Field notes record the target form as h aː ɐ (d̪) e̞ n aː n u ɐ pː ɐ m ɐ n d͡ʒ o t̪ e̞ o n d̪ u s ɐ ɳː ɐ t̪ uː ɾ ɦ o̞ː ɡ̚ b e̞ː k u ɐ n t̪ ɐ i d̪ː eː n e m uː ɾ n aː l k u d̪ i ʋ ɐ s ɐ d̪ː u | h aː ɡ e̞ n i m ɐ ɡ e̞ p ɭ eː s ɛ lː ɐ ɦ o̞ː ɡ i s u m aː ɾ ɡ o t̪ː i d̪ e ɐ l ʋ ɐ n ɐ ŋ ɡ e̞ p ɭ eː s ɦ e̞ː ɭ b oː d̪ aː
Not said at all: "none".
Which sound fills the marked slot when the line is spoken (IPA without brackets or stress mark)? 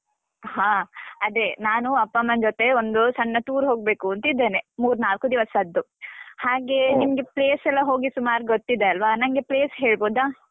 d̪